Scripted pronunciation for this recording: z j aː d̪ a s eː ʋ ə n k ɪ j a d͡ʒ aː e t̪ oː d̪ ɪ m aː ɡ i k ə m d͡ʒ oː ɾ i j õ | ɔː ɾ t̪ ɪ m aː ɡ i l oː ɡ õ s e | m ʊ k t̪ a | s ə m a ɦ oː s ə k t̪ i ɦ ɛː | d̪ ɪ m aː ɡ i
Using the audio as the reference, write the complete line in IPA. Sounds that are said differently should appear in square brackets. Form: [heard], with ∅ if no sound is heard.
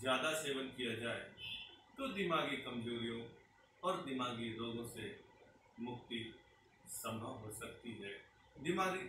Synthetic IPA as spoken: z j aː d̪ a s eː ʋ ə n k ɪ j a d͡ʒ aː e t̪ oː d̪ ɪ m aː ɡ i k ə m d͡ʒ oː ɾ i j õ | ɔː ɾ [d̪] ɪ m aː ɡ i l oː ɡ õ s e | m ʊ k t̪ [i] | s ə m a ɦ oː s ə k t̪ i ɦ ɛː | d̪ ɪ m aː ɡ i